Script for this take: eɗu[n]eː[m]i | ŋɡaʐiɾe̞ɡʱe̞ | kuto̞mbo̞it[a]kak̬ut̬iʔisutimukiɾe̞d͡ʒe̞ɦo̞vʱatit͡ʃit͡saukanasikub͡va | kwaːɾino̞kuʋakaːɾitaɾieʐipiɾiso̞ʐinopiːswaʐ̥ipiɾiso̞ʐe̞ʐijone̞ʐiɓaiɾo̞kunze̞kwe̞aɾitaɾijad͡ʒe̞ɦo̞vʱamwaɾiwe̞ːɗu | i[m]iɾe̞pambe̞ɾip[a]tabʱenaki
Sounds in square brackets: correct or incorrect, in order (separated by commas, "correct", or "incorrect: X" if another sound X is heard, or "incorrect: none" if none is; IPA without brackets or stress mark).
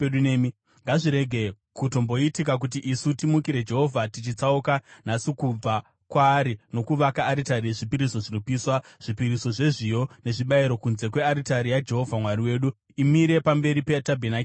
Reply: correct, correct, incorrect: i, correct, incorrect: e